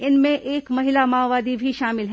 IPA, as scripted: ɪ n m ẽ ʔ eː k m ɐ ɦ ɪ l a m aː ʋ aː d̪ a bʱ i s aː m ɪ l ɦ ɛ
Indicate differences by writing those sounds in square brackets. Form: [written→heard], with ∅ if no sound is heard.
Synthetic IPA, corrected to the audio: ɪ n m ẽ ʔ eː k m ɐ ɦ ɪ l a m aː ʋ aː d̪ [a→i] bʱ i [s→ʃ] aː m ɪ l ɦ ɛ